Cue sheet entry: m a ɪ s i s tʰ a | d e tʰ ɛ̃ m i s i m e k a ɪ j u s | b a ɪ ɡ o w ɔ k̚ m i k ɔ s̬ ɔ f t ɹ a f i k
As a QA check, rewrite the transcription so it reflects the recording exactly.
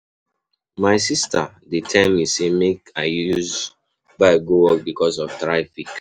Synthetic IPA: m a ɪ s i s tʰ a | d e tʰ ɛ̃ m i s e m e k a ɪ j u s | b a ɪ ɡ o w ɔ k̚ b i k ɔ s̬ ɔ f t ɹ a f i k